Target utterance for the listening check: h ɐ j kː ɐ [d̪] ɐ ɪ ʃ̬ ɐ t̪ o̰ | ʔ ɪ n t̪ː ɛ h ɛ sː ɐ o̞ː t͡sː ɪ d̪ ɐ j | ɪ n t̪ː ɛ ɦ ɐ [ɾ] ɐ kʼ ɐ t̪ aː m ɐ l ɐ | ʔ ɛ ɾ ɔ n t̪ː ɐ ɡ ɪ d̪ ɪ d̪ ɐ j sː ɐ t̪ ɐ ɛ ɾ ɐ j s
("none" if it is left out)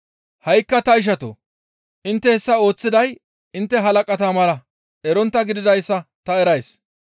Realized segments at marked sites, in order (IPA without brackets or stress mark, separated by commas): t̪, l